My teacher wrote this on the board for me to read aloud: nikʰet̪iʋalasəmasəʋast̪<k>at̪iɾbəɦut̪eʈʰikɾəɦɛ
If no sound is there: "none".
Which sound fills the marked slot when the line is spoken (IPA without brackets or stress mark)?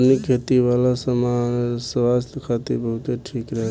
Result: kʰ